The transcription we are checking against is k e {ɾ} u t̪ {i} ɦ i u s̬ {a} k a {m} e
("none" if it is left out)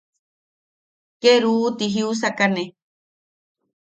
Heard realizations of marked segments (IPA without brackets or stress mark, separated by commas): ɾ, i, a, n